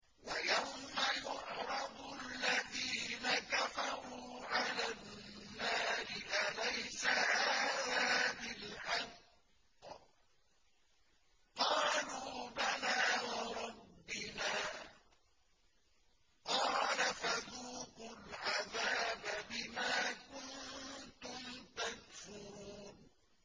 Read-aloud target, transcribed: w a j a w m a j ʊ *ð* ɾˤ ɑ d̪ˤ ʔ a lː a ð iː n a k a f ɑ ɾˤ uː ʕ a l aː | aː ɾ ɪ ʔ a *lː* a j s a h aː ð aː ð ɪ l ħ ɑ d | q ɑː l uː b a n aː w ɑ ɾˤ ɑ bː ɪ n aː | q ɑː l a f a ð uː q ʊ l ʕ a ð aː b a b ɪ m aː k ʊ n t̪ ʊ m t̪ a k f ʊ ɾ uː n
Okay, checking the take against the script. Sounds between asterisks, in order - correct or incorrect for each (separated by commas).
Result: incorrect, incorrect